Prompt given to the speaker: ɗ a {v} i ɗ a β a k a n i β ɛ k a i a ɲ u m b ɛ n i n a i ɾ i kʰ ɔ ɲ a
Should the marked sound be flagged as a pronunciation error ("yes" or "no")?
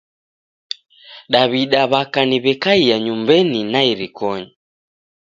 yes